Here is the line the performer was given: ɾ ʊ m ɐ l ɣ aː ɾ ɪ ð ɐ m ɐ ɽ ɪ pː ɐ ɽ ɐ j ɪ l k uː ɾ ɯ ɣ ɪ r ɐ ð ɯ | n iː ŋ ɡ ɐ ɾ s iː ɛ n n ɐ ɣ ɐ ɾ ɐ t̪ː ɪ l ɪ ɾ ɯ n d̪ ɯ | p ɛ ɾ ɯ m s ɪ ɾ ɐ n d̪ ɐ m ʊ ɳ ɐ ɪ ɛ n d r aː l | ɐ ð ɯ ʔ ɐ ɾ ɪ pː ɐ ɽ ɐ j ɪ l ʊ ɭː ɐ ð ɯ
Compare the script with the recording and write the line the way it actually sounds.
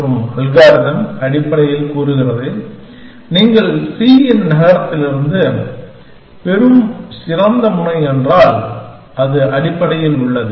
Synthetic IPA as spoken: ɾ ɯ m ɐ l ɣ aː ɾ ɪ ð ɐ m ɐ ɽ ɪ pː ɐ ɽ ɐ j ɪ l k uː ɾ ɯ ɣ ɪ r ɐ ð ɯ | n iː ŋ ɡ ɐ ɭ s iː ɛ n n ɐ ɣ ɐ ɾ ɐ t̪ː ɪ l ɪ ɾ ɯ n d̪ ɯ | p ɛ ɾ ɯ m s ɪ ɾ ɐ n d̪ ɐ m ʊ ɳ ɐ ɪ ɛ n d r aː l | ɐ ð ɯ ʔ ɐ ɽ ɪ pː ɐ ɽ ɐ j ɪ l ʊ ɭː ɐ ð ɯ

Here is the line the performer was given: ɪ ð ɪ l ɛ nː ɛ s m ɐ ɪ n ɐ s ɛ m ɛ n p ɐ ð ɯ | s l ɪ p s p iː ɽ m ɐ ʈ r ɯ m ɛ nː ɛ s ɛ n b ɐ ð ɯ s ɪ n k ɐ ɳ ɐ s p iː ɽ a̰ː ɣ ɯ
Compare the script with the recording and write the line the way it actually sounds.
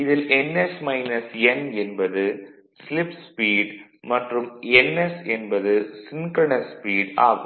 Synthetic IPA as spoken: ɪ ð ɪ l ɛ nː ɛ s m ɐ ɪ n ɐ s ɛ n ɛ n b ɐ ð ɯ | s l ɪ p s p iː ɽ m ɐ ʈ r ɯ m ɛ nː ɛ s ɛ n b ɐ ð ɯ s ɪ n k ɐ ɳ ɐ s p iː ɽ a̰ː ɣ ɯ

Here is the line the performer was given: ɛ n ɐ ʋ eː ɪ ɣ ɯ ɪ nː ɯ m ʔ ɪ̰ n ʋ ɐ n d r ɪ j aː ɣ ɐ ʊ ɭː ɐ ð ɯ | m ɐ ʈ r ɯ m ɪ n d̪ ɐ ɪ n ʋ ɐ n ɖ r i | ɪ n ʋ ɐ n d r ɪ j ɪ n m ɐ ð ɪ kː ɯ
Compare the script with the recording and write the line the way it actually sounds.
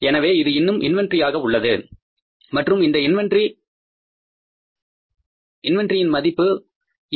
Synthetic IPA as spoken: ɛ n ɐ ʋ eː ɪ ð ɯ ɪ nː ɯ m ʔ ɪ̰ n ʋ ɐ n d r ɪ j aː ɣ ɐ ʊ ɭː ɐ ð ɯ | m ɐ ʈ r ɯ m ɪ n d̪ ɐ ɪ n ʋ ɐ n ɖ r i | ɪ n ʋ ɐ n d r ɪ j ɪ n m ɐ ð ɪ pː ɯ

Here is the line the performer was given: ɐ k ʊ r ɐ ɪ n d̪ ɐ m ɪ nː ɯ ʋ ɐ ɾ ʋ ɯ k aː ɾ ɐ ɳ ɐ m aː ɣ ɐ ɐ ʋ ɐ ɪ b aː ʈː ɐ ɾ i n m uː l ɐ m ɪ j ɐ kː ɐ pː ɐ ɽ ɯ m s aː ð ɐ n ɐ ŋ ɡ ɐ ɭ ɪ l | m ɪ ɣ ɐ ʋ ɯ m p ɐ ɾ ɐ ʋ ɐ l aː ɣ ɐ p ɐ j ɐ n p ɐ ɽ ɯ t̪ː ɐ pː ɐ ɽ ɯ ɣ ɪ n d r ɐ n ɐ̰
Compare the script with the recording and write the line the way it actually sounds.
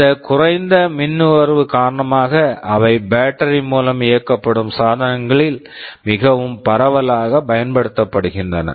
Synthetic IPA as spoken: ɐ k ʊ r ɐ ɪ n d̪ ɐ m ɪ nː ɯ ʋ ɐ ɾ ʋ ɯ k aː ɾ ɐ ɳ ɐ m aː ɣ ɐ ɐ ʋ ɐ ɪ b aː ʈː ɐ ɾ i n m uː l ɐ m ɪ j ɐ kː ɐ pː ɐ ɽ ɯ m s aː ð ɐ n ɐ ŋ ɡ ɐ ɭ ɪ l | m ɪ ɣ ɐ ʋ ɯ m p ɐ ɾ ɐ ʋ ɐ l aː ɣ ɐ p ɐ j ɐ n p ɐ ɽ ɯ t̪ː ɐ pː ɐ ɽ ɯ ɣ ɪ n d r ɐ n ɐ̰

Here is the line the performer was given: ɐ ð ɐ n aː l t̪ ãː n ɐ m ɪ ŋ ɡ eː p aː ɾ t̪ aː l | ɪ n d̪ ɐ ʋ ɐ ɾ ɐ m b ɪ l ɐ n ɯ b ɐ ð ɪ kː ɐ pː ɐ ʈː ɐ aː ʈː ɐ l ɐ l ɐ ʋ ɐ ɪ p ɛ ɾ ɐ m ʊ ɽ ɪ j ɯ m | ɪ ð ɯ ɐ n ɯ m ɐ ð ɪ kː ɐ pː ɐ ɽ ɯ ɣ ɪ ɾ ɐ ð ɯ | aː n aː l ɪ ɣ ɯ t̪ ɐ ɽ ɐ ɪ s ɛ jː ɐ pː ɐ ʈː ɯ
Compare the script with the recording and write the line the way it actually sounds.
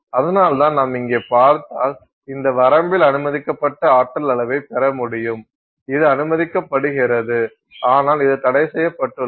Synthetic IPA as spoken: ɐ ð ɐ n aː l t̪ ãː n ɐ m ɪ ŋ ɡ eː p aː ɾ t̪ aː l | ɪ n d̪ ɐ ʋ ɐ ɾ ɐ m b ɪ l ɐ n ɯ m ɐ ð ɪ kː ɐ pː ɐ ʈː ɐ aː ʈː ɐ l ɐ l ɐ ʋ ɐ ɪ p ɛ ɾ ɐ m ʊ ɽ ɪ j ɯ m | ɪ ð ɯ ɐ n ɯ m ɐ ð ɪ kː ɐ pː ɐ ɽ ɯ ɣ ɪ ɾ ɐ ð ɯ | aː n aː l ɪ ð ɯ t̪ ɐ ɽ ɐ ɪ s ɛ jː ɐ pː ɐ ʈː ɯ

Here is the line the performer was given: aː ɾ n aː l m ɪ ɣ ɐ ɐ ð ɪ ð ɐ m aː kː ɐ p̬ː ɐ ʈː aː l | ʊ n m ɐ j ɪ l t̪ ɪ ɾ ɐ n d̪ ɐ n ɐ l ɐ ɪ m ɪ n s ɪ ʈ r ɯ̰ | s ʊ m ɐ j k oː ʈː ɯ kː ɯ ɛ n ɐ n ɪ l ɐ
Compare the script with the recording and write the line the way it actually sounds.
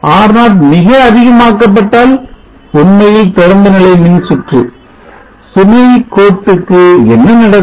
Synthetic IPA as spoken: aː ɾ n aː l m ɪ ɣ ɐ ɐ ð ɪ ɣ ɐ m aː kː ɐ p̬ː ɐ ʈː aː l | ʊ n m ɐ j ɪ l t̪ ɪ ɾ ɐ n d̪ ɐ n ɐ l ɐ ɪ m ɪ n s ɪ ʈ r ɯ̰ | s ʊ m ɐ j k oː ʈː ɯ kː ɯ ɛ nː ɐ n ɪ ɽ ɐ

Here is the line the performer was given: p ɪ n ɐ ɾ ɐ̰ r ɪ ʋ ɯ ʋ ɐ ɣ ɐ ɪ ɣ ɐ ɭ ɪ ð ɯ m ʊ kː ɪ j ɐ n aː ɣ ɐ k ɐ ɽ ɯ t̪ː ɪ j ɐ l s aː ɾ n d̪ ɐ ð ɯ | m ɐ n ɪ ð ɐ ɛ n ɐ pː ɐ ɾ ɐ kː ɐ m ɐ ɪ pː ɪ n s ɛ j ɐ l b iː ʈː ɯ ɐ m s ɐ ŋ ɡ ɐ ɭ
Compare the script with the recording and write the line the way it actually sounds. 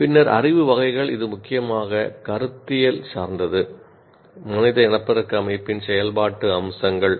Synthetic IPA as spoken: p ɪ nː ɐ ɾ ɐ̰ r ɪ ʋ ɯ ʋ ɐ ɣ ɐ ɪ ɣ ɐ ɭ ɪ ð ɯ m ʊ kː ɪ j ɐ m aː ɣ ɐ k ɐ ɾ ɯ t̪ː ɪ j ɐ l s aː ɾ n d̪ ɐ ð ɯ | m ɐ n ɪ ð ɐ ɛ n ɐ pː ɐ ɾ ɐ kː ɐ m ɐ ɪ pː ɪ n s ɛ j ɐ l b aː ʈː ɯ ɐ m s ɐ ŋ ɡ ɐ ɭ

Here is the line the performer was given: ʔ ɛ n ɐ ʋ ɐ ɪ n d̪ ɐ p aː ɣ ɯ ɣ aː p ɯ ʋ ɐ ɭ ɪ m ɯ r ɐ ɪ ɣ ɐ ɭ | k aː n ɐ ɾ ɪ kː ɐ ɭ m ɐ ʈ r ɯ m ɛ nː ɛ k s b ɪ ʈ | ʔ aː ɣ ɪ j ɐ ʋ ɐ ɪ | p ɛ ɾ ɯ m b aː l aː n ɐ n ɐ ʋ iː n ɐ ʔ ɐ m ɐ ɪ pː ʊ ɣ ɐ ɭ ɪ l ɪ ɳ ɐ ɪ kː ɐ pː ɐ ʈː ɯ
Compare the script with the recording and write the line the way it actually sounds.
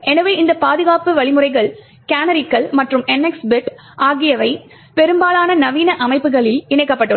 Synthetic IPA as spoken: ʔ ɛ n ɐ ʋ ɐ ɪ n d̪ ɐ p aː ð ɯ ɣ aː p ɯ ʋ ɐ ɭ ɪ m ɯ r ɐ ɪ ɣ ɐ ɭ | k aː n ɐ ɾ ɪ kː ɐ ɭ m ɐ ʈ r ɯ m ɛ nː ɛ k s b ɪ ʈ | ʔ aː ɣ ɪ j ɐ ʋ ɐ ɪ | p ɛ ɾ ɯ m b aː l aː n ɐ n ɐ ʋ iː n ɐ ʔ ɐ m ɐ ɪ pː ɯ ɣ ɐ ɭ ɪ l ɪ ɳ ɐ ɪ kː ɐ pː ɐ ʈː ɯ

